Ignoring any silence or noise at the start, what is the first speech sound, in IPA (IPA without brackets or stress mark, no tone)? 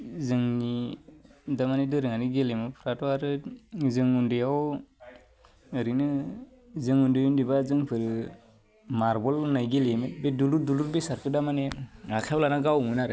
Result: z